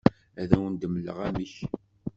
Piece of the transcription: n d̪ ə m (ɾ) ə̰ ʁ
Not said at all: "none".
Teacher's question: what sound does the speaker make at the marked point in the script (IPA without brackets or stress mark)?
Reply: l